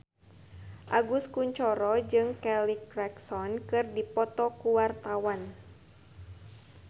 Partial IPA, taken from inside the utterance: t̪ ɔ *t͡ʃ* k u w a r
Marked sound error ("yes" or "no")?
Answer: yes